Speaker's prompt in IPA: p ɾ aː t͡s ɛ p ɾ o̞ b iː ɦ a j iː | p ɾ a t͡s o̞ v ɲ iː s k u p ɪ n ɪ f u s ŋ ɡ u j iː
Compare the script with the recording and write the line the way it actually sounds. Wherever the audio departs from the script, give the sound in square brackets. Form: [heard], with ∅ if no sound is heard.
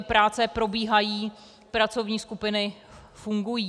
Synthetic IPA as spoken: p ɾ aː t͡s ɛ p ɾ o̞ b iː ɦ a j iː | p ɾ a t͡s o̞ v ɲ iː s k u p ɪ n ɪ f u [∅] ŋ ɡ u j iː